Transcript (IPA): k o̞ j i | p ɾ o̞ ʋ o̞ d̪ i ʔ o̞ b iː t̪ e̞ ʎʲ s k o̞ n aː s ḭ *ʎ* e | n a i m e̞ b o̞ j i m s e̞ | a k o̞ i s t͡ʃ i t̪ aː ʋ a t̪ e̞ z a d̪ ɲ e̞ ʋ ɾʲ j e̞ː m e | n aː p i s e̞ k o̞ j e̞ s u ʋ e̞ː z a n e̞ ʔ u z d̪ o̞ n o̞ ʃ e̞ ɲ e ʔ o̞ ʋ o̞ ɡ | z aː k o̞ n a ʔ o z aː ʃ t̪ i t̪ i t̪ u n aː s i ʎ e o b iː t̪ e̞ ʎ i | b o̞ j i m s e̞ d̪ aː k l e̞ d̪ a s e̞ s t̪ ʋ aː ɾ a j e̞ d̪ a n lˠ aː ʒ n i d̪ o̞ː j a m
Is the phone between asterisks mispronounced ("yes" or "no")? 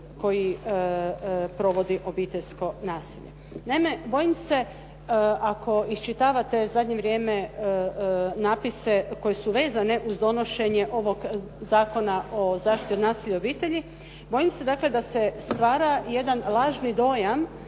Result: no